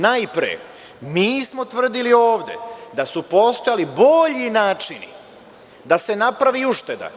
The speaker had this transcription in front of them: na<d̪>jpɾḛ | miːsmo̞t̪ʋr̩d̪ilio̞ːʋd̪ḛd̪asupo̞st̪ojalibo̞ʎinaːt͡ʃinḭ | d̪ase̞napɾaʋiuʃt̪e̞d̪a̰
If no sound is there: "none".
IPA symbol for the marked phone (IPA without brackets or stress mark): none